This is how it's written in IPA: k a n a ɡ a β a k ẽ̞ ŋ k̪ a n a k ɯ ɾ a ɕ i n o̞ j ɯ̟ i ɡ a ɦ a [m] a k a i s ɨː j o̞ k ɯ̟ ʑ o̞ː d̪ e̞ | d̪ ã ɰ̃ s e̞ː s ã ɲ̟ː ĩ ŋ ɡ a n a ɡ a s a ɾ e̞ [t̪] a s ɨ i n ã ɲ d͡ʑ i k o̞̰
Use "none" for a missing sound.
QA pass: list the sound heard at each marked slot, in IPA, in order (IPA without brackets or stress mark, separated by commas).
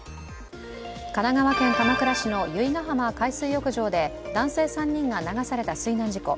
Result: m, t̪